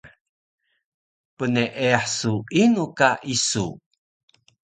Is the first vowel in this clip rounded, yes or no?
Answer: no